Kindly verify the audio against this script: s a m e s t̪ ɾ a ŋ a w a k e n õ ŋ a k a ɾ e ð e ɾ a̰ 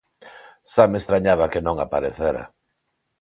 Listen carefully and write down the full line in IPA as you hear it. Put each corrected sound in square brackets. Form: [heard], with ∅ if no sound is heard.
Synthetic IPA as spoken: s a m e s t̪ ɾ a [ɲ] a [β] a k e n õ ŋ a [p] a ɾ e [θ] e ɾ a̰